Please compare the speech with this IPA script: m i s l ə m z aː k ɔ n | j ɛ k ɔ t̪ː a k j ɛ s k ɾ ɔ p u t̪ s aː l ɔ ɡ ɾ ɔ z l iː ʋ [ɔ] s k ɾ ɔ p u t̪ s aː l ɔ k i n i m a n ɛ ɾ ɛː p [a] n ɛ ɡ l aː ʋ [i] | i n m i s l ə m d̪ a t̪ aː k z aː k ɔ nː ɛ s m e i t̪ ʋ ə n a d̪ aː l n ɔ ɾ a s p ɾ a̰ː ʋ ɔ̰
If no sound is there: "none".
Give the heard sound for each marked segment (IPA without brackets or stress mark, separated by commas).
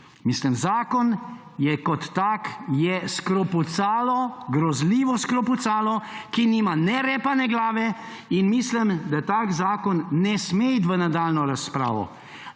ɔ, a, ɛ